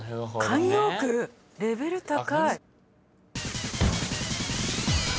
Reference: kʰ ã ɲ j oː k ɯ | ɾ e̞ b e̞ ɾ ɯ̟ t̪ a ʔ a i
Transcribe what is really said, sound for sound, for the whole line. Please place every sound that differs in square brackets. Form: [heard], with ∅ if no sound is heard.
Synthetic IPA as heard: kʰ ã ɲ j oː k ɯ | ɾ e̞ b e̞ ɾ ɯ̟ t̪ a [k] a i